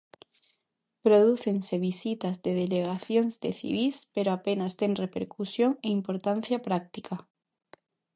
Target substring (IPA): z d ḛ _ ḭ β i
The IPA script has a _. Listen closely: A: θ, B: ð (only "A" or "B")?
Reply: A